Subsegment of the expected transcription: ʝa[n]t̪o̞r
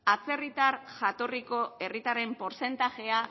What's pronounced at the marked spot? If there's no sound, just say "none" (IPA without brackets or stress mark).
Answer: none